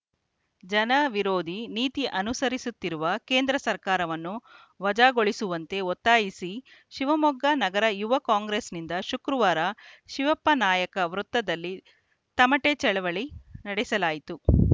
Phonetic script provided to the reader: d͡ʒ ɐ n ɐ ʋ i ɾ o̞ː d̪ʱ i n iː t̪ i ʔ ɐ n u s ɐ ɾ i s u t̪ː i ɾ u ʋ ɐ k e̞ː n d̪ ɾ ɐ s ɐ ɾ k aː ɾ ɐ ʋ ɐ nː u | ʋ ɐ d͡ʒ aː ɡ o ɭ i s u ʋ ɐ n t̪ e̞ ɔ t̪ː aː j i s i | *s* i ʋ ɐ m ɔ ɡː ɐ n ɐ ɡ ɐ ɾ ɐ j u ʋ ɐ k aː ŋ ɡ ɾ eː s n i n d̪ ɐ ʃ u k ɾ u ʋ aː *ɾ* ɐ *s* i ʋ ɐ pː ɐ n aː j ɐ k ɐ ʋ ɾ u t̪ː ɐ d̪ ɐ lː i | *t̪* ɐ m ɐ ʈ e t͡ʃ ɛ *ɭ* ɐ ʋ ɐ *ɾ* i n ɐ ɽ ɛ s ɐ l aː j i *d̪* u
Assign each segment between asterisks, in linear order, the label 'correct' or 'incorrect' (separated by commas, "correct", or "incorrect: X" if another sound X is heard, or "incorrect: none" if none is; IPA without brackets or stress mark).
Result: incorrect: ʃ, correct, incorrect: ʃ, correct, correct, incorrect: ɭ, incorrect: t̪